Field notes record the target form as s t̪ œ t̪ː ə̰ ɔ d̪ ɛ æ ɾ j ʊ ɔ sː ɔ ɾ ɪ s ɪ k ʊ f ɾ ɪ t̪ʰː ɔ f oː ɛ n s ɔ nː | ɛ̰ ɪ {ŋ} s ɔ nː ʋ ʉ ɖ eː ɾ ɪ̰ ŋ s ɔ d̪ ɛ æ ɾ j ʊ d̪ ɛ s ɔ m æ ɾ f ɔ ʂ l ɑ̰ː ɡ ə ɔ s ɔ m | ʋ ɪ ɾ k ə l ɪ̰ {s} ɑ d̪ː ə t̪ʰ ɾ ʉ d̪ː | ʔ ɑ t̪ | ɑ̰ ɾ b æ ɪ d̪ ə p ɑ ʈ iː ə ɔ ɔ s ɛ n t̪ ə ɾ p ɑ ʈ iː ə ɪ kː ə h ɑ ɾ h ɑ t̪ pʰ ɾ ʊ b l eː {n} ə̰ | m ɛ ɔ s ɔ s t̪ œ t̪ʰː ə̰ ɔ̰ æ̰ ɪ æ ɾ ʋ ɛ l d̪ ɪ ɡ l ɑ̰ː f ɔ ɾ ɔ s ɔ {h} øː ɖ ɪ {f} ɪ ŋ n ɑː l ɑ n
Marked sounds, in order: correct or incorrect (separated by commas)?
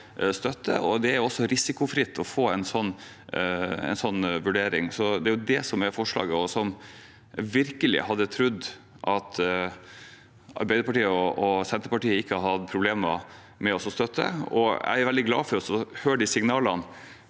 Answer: incorrect, incorrect, incorrect, correct, incorrect